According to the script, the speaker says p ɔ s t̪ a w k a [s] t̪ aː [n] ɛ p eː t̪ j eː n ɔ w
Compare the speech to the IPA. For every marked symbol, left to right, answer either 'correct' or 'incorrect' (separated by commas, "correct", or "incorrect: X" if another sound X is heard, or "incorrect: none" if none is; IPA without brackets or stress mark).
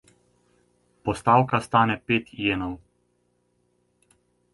correct, correct